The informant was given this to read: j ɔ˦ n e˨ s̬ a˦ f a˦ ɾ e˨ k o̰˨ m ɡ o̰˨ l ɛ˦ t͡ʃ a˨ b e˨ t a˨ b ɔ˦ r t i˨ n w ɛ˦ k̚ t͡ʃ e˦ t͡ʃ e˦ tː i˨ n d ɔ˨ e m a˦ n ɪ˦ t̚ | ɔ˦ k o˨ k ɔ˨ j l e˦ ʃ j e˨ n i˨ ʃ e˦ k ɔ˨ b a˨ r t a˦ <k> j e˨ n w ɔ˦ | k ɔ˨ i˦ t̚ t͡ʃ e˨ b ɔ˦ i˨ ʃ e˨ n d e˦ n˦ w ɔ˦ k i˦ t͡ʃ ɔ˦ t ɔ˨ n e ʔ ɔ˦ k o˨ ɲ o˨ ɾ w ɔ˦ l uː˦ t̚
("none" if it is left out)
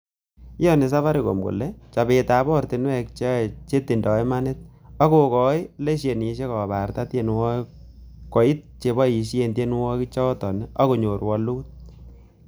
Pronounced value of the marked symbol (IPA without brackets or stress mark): t